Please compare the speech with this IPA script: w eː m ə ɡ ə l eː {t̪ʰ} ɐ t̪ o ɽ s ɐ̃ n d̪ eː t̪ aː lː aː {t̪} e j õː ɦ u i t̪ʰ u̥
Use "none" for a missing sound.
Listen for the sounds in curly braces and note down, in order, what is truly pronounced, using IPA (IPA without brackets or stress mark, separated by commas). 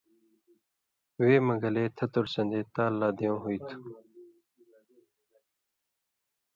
t̪ʰ, d̪